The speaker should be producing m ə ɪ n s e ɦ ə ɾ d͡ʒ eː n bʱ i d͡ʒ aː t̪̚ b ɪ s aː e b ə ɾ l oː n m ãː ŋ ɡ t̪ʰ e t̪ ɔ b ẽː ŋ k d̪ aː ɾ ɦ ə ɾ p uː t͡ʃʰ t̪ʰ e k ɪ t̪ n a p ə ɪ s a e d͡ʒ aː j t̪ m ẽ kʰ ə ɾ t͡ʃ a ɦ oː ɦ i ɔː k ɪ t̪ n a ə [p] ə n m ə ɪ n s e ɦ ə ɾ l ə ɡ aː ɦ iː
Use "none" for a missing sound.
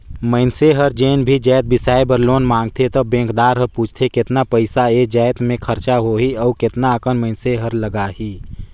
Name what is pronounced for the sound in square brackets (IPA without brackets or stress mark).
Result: k